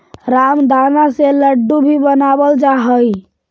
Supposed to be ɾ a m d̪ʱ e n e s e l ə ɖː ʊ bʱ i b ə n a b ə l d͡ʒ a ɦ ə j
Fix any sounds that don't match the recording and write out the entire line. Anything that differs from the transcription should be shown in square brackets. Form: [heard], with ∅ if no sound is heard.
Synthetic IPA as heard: ɾ a m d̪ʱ [a] n [a] s e l ə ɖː [u] bʱ i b ə n a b ə l d͡ʒ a ɦ ə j